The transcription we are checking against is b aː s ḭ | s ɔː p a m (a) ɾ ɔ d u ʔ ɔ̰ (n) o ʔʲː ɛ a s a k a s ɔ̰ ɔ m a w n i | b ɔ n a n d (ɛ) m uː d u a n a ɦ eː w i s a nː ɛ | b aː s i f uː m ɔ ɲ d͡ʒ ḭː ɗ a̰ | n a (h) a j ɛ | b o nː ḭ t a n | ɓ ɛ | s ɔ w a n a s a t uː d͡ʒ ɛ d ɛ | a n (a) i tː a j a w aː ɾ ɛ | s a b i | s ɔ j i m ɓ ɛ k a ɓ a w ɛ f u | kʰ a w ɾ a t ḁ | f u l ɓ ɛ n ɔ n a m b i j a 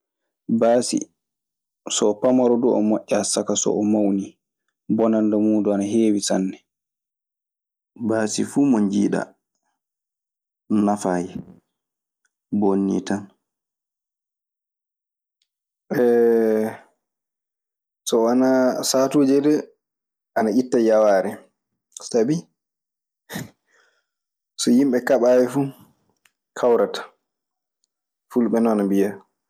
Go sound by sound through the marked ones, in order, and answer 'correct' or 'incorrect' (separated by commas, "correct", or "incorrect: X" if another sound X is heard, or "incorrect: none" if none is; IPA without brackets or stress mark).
correct, incorrect: m, incorrect: a, incorrect: f, correct